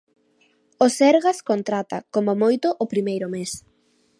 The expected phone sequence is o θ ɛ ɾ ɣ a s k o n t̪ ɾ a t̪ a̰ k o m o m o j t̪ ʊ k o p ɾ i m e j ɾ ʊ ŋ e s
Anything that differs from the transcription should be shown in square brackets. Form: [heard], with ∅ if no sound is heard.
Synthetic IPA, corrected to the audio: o [s] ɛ ɾ ɣ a s k o n t̪ ɾ a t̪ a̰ k o m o m o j t̪ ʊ [ʔ] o p ɾ i m e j ɾ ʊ [m] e s